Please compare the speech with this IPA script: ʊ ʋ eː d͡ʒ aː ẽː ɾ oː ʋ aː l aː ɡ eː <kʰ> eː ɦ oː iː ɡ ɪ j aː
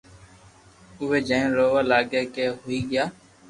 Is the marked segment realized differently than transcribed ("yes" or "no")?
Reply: yes